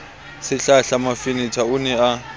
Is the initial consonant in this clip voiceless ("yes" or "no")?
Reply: yes